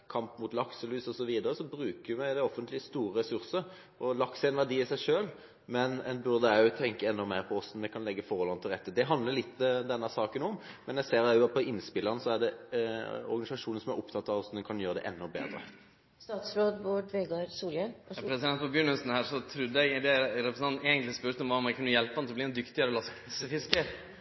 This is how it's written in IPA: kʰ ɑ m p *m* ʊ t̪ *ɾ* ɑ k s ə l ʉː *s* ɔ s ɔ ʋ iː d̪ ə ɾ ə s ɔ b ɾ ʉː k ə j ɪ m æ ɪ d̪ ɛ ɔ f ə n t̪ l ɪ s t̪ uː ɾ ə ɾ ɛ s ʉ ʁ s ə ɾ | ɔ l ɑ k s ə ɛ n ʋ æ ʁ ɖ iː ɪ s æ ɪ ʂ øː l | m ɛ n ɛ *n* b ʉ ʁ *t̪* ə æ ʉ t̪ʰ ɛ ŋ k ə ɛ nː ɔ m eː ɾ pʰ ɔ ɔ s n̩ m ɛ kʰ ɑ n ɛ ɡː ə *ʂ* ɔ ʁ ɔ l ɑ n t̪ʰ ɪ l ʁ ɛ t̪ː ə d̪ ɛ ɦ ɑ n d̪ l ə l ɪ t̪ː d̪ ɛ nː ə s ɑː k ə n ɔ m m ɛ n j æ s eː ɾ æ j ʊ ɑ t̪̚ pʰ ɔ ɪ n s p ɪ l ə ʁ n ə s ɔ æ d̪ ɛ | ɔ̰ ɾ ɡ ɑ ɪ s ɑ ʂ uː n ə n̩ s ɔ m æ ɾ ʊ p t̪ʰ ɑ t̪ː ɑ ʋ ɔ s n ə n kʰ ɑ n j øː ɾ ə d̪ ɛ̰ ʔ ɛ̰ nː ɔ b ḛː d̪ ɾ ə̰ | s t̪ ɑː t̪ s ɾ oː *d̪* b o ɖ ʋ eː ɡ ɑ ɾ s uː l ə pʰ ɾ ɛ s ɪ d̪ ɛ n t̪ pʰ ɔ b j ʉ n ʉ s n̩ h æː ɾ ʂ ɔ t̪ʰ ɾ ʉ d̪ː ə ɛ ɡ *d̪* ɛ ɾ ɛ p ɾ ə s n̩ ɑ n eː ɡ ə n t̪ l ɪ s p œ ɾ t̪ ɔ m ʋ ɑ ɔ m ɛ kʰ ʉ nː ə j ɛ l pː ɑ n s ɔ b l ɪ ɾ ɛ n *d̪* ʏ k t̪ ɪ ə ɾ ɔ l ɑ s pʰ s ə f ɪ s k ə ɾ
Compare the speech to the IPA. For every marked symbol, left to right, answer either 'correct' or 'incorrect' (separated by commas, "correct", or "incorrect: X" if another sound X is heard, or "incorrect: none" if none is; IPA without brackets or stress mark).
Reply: correct, incorrect: l, correct, correct, incorrect: d̪, incorrect: f, correct, correct, correct